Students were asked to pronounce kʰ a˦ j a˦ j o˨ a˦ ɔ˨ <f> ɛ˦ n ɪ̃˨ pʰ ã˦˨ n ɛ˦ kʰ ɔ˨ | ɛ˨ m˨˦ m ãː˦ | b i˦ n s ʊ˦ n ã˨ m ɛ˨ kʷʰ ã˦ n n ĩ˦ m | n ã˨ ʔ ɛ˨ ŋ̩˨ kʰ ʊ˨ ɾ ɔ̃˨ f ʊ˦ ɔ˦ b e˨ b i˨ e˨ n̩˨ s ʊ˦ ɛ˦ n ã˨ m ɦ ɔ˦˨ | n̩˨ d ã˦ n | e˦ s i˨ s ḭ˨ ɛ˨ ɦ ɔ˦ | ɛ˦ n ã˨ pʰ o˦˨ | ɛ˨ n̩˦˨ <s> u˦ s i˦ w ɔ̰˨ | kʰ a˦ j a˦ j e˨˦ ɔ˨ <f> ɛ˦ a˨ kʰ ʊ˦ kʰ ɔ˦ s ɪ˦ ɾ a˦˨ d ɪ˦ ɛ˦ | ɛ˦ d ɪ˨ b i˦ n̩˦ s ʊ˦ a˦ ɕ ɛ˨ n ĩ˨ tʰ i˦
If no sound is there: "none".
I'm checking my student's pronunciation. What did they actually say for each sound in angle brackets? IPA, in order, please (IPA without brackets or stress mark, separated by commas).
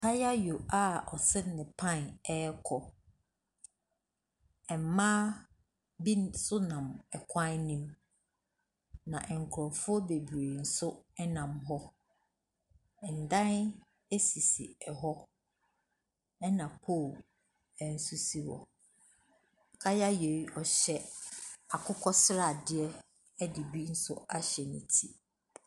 s, s, ɕ